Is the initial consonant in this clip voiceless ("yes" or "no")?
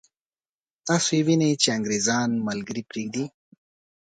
yes